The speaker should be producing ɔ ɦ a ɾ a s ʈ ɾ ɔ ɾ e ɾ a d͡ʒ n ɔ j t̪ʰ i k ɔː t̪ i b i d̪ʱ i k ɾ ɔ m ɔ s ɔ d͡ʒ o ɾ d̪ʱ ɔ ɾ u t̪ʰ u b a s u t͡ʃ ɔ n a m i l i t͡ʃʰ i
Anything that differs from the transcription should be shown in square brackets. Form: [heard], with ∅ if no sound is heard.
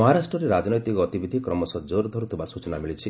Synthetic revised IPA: ɔ ɦ a ɾ a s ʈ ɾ ɔ ɾ e ɾ a d͡ʒ n ɔ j [t̪] i k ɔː t̪ i b i d̪ʱ i k ɾ ɔ m ɔ s ɔ d͡ʒ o ɾ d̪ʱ ɔ ɾ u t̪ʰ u b a s u t͡ʃ ɔ n a m i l i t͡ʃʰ i